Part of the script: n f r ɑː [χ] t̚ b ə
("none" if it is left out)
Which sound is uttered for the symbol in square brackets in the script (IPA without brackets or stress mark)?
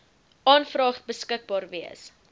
χ